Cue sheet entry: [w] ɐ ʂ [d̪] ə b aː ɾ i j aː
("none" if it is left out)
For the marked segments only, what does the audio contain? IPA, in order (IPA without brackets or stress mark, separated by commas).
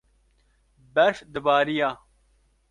b, d̪